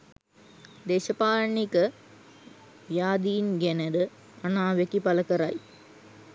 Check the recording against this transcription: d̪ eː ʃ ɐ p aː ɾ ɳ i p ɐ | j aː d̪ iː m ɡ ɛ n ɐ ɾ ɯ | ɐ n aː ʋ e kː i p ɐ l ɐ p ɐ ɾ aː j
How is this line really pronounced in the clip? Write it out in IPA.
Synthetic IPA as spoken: d̪ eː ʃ ɐ p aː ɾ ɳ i k ɐ | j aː d̪ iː n ɡ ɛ n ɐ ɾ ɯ | ɐ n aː ʋ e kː i p ɐ l ɐ k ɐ ɾ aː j

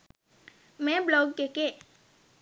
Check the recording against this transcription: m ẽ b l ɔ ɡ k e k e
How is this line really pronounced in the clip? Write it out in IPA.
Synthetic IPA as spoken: m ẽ b l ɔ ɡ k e k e

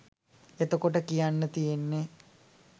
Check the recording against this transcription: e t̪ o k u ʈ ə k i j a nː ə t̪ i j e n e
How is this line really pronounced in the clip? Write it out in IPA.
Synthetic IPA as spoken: e t̪ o k o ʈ ə k i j a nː ə t̪ i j e nː e

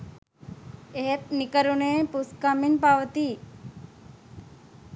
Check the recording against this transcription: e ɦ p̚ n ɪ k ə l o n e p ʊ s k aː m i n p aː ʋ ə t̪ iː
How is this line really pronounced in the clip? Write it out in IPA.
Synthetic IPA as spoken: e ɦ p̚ n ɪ k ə ɾ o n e p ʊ s k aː m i n p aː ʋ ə t̪ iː

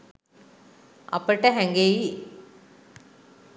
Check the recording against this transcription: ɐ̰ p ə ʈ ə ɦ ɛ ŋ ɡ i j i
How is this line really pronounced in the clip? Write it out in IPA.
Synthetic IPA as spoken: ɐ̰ p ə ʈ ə ɦ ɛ ŋ ɡ e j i

